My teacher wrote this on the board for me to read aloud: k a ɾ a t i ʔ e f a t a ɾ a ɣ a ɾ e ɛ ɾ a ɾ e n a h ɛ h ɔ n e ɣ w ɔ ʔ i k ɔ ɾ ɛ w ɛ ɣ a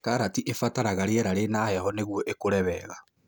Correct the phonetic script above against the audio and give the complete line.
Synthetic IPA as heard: k a ɾ a t i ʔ e f a t a ɾ a ɣ a ɾ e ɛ ɾ a ɾ e n a h ɛ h ɔ n e ɣ w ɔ ʔ e k o ɾ ɛ β ɛ ɣ a